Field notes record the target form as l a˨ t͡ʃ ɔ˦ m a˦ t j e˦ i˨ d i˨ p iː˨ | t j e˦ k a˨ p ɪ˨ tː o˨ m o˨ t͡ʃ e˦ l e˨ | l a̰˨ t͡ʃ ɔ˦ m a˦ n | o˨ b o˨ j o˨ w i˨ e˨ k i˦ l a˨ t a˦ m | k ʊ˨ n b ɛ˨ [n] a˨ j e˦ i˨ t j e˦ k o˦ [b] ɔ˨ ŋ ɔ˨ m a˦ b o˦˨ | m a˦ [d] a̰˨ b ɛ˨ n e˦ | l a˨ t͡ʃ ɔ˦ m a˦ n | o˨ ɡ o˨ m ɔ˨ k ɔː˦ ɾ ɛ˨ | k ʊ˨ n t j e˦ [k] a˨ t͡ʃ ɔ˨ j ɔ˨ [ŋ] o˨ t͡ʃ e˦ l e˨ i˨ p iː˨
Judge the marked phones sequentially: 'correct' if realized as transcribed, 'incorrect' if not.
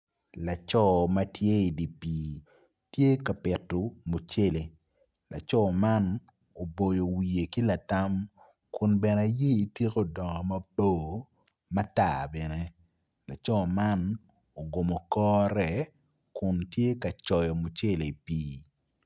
correct, incorrect: d, incorrect: t, correct, incorrect: m

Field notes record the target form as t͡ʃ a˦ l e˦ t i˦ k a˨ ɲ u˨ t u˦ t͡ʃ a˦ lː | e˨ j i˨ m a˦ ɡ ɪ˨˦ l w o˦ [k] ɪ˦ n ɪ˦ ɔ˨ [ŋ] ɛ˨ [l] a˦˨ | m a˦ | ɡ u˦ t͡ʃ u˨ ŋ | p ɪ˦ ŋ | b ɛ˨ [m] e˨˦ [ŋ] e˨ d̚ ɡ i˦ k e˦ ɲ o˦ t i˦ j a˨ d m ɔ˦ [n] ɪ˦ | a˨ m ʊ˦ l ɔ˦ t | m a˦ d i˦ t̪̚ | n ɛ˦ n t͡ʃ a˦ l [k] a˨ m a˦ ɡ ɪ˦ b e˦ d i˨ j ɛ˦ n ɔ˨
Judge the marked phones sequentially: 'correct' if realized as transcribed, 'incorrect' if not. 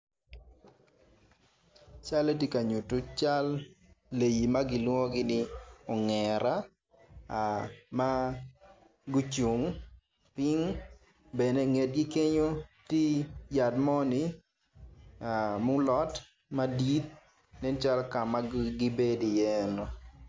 incorrect: ɡ, correct, incorrect: ɾ, incorrect: n, correct, correct, correct

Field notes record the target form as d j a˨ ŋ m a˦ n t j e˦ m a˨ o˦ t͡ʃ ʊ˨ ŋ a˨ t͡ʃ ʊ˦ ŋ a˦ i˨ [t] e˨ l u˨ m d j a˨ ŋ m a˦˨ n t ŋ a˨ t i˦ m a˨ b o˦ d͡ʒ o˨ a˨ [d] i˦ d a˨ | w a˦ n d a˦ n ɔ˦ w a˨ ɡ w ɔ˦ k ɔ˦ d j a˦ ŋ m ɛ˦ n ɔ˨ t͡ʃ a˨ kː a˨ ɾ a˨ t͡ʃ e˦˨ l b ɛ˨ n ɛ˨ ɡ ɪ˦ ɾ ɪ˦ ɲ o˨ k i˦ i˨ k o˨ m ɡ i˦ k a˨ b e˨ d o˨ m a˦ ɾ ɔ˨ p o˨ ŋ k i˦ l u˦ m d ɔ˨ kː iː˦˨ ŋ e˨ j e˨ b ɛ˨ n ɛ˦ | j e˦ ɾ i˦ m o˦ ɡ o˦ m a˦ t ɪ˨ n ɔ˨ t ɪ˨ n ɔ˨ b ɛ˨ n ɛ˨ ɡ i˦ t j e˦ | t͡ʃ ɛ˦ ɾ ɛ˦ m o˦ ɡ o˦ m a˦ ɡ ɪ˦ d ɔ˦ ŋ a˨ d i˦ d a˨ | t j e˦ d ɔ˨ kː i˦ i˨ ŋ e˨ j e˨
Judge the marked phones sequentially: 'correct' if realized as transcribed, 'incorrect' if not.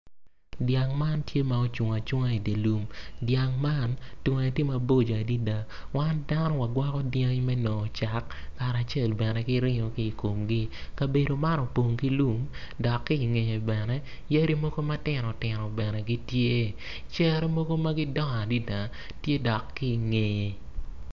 incorrect: d, correct

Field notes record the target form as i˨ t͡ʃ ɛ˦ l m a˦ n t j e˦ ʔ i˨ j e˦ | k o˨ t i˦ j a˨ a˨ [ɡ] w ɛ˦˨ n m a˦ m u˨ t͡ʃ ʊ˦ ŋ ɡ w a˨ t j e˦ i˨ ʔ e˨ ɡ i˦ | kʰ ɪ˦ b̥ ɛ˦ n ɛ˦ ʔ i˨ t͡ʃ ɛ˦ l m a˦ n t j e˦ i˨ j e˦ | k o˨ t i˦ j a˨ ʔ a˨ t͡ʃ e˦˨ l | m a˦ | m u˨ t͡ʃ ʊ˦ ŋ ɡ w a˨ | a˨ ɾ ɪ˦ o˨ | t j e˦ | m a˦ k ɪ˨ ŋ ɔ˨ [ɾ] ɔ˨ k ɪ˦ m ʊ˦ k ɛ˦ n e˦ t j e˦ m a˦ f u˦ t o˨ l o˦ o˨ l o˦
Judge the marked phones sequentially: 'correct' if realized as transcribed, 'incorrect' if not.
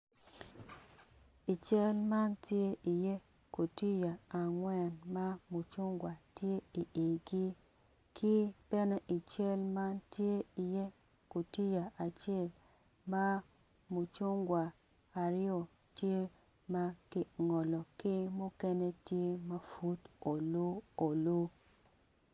incorrect: ŋ, incorrect: l

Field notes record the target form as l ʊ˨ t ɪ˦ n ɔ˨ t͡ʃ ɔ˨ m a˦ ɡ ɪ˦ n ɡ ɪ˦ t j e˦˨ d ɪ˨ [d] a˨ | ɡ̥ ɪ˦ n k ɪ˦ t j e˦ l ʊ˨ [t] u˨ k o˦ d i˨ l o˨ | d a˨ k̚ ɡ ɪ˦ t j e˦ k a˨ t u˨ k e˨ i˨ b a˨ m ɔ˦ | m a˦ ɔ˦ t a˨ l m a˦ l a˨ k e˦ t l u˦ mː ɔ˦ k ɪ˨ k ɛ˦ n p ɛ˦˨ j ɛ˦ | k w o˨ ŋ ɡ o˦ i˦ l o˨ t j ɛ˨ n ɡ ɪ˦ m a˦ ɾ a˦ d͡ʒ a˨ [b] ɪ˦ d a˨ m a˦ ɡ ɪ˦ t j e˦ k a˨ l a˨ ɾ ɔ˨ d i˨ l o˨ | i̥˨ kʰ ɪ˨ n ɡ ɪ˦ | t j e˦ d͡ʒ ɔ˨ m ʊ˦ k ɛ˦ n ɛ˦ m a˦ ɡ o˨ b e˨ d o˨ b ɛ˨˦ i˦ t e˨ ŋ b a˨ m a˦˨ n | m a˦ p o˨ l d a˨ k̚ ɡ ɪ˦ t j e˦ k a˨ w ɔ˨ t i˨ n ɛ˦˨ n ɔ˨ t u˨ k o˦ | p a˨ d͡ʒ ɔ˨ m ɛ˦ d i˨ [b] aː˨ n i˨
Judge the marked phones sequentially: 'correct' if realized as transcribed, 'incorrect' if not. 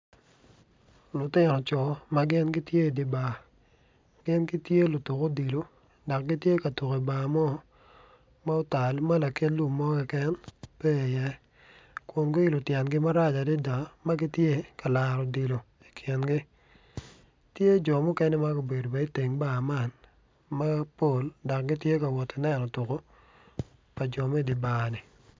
incorrect: b, correct, incorrect: d, correct

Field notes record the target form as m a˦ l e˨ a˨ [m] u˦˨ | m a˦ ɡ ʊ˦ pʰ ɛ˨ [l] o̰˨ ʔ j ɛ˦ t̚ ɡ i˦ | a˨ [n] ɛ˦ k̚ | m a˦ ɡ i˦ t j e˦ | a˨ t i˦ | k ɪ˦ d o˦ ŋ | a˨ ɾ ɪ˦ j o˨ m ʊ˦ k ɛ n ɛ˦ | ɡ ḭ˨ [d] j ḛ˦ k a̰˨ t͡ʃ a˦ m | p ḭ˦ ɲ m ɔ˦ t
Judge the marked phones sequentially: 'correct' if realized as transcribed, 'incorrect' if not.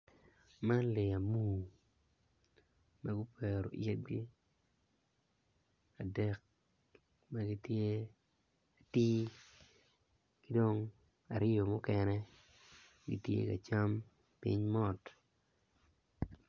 correct, incorrect: ɾ, incorrect: d, incorrect: t

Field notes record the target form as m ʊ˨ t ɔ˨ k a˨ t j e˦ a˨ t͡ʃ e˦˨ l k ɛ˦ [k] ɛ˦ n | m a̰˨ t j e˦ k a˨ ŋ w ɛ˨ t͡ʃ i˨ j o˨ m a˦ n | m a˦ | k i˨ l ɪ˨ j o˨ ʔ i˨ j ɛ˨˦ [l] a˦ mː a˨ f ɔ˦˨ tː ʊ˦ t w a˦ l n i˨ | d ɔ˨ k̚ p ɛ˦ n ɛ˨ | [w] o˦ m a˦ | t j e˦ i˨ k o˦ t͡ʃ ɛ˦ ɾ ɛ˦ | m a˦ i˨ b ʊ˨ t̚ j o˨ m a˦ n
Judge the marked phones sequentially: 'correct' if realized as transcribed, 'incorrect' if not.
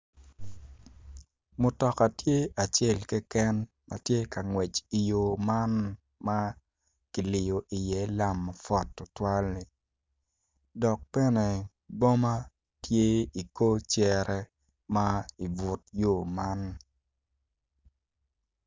correct, correct, incorrect: b

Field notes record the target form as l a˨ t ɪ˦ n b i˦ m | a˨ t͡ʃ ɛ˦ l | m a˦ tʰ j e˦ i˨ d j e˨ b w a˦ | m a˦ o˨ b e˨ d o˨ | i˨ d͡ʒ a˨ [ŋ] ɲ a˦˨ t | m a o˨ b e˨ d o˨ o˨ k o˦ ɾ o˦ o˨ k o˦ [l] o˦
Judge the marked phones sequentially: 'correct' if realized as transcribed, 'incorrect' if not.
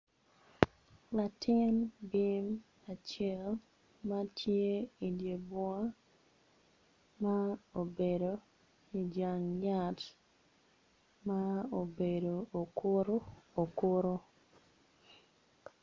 correct, incorrect: ɾ

